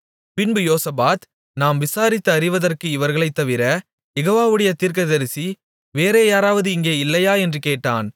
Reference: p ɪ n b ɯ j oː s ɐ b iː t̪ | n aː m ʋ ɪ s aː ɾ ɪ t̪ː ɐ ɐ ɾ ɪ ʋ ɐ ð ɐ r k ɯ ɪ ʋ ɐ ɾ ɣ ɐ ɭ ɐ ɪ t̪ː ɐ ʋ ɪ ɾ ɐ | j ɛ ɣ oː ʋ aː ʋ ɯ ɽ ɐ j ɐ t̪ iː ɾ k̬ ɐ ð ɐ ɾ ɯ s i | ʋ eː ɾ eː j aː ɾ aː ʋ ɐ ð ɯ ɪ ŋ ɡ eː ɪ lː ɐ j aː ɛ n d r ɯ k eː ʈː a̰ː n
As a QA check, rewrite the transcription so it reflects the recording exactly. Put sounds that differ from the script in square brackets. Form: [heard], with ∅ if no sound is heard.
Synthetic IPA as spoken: p ɪ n b ɯ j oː s ɐ b [aː] t̪ | n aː m ʋ ɪ s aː ɾ ɪ t̪ː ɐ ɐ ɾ ɪ ʋ ɐ ð ɐ r k ɯ ɪ ʋ ɐ ɾ ɣ ɐ ɭ ɐ ɪ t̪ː ɐ ʋ ɪ ɾ ɐ | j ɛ ɣ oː ʋ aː ʋ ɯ ɽ ɐ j ɐ t̪ iː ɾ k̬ ɐ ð ɐ ɾ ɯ s i | ʋ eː ɾ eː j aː ɾ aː ʋ ɐ ð ɯ ɪ ŋ ɡ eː ɪ lː ɐ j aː ɛ n d r ɯ k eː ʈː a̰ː n